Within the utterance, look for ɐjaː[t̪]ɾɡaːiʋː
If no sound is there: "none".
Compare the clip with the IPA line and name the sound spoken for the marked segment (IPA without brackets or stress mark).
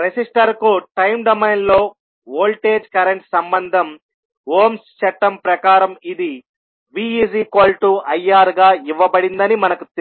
none